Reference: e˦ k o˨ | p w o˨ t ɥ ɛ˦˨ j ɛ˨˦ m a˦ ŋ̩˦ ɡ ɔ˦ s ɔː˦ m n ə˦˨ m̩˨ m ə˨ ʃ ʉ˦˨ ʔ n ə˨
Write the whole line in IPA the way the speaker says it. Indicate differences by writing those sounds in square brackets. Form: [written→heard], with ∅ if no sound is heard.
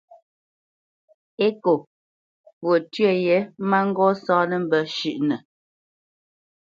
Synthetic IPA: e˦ k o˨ | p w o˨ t ɥ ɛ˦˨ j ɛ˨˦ m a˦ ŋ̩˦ ɡ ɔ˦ s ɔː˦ [m→∅] n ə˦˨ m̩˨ [m→b] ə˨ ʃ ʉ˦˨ ʔ n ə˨